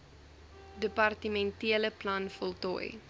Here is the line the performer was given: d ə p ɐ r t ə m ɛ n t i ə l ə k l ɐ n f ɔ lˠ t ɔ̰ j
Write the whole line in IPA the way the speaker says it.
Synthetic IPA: d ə p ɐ r t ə m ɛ n t i ə l ə p l ɐ n f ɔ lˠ t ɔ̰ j

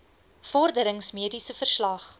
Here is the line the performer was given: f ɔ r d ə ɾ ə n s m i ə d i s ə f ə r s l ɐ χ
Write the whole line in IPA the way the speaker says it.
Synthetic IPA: f ɔ r d ə ɾ ə ŋ s m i ə d i s ə f ə r s l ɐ χ

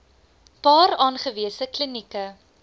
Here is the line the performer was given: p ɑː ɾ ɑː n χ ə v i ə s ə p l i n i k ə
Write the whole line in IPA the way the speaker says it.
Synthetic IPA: p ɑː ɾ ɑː n χ ə v i ə s ə k l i n i k ə

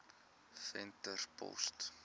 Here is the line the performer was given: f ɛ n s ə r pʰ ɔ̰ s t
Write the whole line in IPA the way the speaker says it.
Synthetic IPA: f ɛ n t ə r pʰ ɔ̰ s t

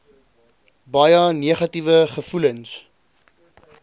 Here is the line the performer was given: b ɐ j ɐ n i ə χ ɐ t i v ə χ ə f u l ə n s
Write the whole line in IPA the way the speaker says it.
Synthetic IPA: b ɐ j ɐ n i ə χ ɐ t i v ə χ ə f u l ə n s

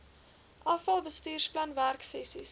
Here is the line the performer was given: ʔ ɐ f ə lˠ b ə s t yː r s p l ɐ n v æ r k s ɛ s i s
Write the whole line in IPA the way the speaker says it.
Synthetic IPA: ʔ ɐ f ɐ lˠ b ə s t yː r s p l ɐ n v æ r k s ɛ s i s

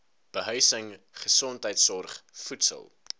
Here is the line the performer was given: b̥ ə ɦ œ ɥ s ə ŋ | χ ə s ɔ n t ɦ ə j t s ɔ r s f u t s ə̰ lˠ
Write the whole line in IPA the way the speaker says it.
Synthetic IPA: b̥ ə ɦ œ ɥ s ə ŋ | χ ə s ɔ n t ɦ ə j t s ɔ r χ f u t s ə̰ lˠ

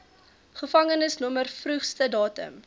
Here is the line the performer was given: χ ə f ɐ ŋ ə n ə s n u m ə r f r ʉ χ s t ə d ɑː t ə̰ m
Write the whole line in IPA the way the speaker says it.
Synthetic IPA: χ ə f ɐ ŋ ə n ə s n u m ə r f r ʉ χ s t ə d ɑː t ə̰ m

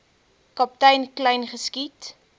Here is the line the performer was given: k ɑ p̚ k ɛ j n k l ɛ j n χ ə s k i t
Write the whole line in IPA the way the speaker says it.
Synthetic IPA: k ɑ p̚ t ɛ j n k l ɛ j n χ ə s k i t

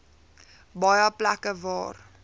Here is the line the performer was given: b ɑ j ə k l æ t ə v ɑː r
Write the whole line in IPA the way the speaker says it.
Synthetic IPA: b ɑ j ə p l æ k ə v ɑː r

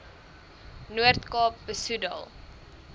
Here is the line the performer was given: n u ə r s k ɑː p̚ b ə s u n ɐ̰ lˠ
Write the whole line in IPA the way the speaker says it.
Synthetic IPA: n u ə r t k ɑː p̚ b ə s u d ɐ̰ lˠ

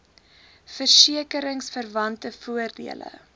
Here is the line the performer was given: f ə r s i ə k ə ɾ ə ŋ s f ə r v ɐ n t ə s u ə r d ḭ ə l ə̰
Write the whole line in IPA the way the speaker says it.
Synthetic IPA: f ə r s i ə k ə ɾ ə ŋ s f ə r v ɐ n t ə f u ə r d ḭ ə l ə̰

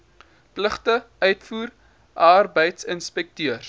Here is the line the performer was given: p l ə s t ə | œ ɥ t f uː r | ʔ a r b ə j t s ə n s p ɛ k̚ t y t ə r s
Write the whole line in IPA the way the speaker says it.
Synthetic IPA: p l ə χ t ə | œ ɥ t f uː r | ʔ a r b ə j t s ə n s p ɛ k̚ t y ə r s

